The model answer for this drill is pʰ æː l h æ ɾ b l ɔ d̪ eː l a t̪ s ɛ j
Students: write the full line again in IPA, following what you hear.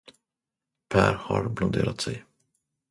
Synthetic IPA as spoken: pʰ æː ɾ h a ɾ b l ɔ d̪ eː ɾ a t̪ s ɛ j